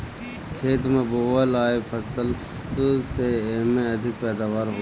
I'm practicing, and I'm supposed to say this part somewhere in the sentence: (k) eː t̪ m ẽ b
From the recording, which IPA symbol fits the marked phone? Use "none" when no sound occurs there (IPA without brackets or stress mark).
kʰ